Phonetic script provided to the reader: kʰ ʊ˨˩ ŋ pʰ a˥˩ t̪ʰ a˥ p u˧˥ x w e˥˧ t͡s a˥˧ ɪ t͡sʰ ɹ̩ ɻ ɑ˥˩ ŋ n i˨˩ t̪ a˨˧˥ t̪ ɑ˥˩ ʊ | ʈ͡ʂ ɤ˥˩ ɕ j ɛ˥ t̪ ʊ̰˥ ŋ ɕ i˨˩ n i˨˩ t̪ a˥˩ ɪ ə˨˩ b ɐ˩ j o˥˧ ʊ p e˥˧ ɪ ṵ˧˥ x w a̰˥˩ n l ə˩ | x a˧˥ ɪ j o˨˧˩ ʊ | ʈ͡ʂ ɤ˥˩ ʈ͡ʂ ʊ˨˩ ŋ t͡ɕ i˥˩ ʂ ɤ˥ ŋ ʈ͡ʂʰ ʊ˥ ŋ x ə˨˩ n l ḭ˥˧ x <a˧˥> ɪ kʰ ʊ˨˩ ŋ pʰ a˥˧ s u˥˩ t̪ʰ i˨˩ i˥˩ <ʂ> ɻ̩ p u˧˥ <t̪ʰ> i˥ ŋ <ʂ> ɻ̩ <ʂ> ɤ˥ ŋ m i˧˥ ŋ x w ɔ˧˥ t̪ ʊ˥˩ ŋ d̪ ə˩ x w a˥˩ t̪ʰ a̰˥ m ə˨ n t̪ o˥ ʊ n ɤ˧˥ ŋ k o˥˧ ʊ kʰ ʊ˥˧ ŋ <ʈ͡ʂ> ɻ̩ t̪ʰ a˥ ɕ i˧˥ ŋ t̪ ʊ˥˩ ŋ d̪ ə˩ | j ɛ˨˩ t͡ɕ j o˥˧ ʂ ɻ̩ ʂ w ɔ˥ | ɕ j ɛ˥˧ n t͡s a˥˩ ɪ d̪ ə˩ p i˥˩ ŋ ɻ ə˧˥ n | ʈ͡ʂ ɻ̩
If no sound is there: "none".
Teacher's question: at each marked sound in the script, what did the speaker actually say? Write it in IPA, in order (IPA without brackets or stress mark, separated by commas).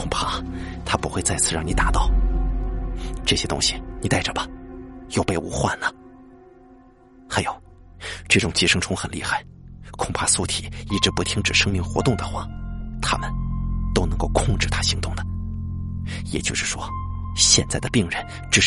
a˥˩, ʈ͡ʂ, t̪ʰ, ʈ͡ʂ, ʂ, ʈ͡ʂ